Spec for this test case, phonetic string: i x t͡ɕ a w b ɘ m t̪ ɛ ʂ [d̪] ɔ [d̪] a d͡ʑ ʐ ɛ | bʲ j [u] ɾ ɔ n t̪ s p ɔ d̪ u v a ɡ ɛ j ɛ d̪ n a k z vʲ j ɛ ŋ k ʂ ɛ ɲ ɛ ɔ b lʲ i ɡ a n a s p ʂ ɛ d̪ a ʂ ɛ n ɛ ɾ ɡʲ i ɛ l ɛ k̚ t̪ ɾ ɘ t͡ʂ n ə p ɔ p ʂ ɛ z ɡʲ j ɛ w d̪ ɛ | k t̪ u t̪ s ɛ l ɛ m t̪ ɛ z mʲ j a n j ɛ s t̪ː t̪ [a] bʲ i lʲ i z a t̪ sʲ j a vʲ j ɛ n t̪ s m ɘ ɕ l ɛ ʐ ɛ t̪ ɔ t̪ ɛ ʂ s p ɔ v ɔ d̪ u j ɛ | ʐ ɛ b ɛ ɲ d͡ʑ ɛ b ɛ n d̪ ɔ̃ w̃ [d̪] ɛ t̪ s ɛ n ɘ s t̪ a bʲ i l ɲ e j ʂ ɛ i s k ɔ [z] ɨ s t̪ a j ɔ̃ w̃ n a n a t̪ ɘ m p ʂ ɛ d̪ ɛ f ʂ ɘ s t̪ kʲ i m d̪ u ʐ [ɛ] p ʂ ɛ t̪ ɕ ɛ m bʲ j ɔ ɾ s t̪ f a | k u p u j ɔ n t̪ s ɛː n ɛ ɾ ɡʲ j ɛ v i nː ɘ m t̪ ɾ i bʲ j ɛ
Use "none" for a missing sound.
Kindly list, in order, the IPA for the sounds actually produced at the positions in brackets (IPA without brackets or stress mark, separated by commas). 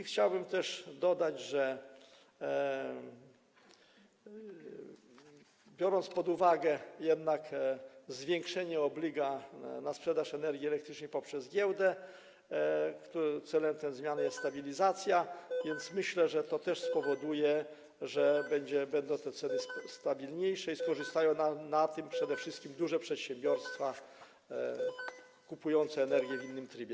d̪, d̪, ɔ, a, t̪, ʐ, ɛ